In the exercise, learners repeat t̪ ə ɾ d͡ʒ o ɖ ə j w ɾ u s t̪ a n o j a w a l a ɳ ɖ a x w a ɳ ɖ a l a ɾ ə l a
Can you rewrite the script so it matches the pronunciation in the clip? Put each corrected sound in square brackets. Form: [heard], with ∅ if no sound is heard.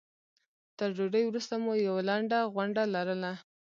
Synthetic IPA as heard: t̪ ə ɾ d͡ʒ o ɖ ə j w ɾ u s t̪ a [m] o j a w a l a ɳ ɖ a [ɣ] w a ɳ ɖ a l a ɾ ə l a

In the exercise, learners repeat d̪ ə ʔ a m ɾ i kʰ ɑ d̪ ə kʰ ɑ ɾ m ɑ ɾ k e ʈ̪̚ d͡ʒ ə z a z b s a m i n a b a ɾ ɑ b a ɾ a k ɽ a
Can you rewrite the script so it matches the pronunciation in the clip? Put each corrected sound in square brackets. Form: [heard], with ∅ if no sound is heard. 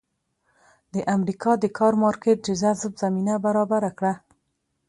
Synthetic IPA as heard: d̪ ə ʔ a m ɾ i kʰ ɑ d̪ ə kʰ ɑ ɾ m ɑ ɾ k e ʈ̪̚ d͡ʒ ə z a z b [z] a m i n a b a ɾ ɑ b a ɾ a k ɽ a

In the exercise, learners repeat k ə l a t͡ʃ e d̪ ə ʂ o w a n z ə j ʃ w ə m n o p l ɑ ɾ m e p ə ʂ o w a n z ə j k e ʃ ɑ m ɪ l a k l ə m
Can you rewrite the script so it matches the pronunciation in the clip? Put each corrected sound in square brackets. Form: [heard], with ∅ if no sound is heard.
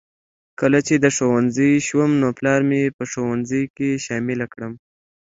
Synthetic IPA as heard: k ə l a t͡ʃ e d̪ ə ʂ o w a n z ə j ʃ w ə m n o p l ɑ ɾ m e p ə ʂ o w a n z ə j k e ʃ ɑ m ɪ l a k [ɽ] ə m

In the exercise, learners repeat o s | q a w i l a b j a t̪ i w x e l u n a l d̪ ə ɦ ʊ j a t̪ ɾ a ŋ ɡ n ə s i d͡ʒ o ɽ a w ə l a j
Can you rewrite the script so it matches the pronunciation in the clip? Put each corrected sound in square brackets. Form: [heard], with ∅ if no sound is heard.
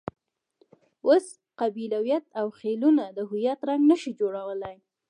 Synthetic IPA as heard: o s | q a [b] i l a [w] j a t̪ [a] w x e l u n a [∅] d̪ ə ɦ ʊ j a t̪ ɾ a ŋ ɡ n ə [ʃ] i d͡ʒ o ɽ a w ə l a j

